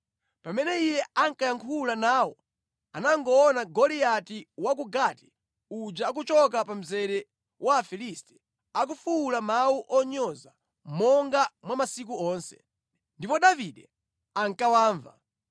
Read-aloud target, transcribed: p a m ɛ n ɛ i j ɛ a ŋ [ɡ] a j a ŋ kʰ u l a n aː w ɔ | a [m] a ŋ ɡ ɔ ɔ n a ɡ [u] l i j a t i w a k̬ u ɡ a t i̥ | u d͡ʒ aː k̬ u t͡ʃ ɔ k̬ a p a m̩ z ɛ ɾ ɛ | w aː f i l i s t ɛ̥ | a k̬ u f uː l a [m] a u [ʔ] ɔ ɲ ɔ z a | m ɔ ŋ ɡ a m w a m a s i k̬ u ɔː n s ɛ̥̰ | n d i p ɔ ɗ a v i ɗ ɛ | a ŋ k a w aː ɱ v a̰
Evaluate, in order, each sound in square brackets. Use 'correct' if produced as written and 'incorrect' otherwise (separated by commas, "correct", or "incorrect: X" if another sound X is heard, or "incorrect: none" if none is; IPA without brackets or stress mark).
incorrect: k, incorrect: n, incorrect: ɔ, correct, correct